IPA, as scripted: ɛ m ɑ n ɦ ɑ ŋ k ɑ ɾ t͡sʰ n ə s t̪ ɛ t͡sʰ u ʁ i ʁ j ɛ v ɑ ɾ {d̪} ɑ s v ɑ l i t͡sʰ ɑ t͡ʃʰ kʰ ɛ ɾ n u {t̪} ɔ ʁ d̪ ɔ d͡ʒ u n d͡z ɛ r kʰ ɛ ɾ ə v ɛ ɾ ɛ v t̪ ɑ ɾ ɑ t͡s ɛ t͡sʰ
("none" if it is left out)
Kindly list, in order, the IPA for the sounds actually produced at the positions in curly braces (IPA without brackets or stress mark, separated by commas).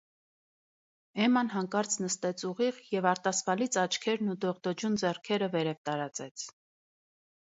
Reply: t̪, d̪